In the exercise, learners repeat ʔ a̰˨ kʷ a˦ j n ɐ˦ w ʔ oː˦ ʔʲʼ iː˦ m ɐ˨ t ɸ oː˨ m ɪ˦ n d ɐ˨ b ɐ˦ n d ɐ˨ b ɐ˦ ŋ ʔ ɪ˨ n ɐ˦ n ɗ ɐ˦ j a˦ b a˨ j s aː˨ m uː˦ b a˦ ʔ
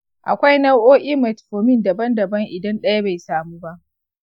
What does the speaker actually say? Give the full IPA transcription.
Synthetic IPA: ʔ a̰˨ kʷ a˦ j n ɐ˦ w ʔ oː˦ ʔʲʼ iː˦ m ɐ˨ t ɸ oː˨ m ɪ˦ n d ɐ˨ b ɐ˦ n d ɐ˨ b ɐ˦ ŋ ʔ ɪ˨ d ɐ˦ n ɗ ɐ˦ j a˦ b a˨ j s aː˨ m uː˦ b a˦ ʔ